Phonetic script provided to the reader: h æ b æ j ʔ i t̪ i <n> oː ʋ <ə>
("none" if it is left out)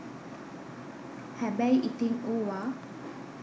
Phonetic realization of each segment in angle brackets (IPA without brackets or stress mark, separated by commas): ŋ, a